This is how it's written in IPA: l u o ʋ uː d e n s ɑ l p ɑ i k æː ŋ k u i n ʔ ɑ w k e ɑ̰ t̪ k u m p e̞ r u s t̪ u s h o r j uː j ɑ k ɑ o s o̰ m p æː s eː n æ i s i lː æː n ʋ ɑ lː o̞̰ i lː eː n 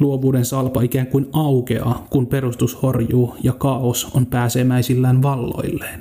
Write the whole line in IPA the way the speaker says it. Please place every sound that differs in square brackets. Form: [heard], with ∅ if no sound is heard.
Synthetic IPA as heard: l u o ʋ uː d e n s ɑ l p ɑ i k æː ŋ k u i n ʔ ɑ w k e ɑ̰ [∅] k u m p e̞ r u s t̪ u s h o r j uː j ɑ k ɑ o s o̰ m p æː s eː [m] æ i s i lː æː n ʋ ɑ lː o̞̰ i lː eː n